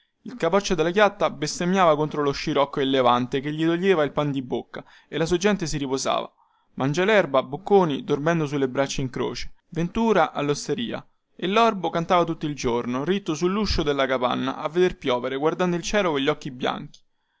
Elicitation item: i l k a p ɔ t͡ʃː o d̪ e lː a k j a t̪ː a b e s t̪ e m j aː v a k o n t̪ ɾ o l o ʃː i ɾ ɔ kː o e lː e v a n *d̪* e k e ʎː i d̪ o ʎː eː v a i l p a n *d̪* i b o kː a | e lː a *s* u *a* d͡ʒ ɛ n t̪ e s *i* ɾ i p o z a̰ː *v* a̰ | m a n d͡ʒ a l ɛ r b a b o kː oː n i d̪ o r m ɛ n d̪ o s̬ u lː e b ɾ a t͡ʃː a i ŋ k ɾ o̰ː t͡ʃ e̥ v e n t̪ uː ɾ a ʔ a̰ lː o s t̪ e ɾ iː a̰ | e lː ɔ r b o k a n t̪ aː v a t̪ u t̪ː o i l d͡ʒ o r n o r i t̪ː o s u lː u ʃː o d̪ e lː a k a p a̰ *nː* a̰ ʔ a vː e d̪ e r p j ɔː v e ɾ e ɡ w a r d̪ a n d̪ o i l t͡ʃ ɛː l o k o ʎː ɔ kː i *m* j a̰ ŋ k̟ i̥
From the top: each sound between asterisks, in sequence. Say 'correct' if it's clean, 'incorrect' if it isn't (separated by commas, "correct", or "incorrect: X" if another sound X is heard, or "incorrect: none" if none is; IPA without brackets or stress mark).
incorrect: t̪, correct, correct, correct, correct, correct, correct, incorrect: b